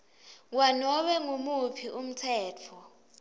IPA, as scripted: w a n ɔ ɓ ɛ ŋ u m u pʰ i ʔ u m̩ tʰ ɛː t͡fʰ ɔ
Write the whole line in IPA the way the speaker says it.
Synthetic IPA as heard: w a n ɔ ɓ ɛ ŋ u m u pʰ i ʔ u m̩ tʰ ɛː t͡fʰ ɔ